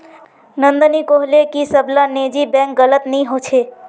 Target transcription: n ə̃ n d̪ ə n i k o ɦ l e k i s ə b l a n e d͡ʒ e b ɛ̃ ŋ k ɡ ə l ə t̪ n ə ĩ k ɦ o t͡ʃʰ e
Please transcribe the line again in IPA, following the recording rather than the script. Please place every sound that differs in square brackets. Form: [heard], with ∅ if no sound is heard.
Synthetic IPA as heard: n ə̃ n d̪ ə n i k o ɦ l e k i s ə b l a n e d͡ʒ [i] b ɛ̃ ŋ k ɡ ə l ə t̪ n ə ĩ [∅] ɦ o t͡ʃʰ e